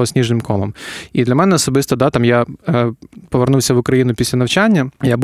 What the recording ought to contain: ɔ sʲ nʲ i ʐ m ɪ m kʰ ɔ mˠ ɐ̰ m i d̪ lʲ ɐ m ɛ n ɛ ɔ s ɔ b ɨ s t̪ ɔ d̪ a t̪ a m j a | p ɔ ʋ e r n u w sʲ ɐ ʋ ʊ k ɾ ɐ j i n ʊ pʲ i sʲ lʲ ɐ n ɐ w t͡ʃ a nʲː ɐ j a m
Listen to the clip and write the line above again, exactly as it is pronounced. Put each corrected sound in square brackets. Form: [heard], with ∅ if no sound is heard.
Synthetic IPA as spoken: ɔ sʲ nʲ i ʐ [n] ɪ m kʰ ɔ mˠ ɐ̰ m i d̪ lʲ ɐ m ɛ n ɛ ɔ s ɔ b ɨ s t̪ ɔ d̪ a t̪ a m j a | p ɔ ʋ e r n u w sʲ ɐ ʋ ʊ k ɾ ɐ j i n ʊ pʲ i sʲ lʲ ɐ n ɐ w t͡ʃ a nʲː ɐ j a [b]